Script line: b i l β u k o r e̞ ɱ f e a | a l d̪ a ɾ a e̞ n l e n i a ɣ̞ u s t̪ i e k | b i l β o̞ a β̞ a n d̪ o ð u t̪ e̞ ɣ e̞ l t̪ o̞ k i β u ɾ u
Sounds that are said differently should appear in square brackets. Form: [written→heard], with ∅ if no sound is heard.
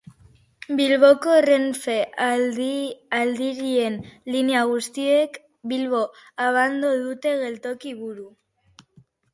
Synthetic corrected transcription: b i l β [u→o] k o r e̞ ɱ f e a | a l d̪ [a→i] ɾ [a→i] e̞ n l [e→i] n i a ɣ̞ u s t̪ i e k | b i l β o̞ a β̞ a n d̪ o ð u t̪ e̞ ɣ e̞ l t̪ o̞ k i β u ɾ u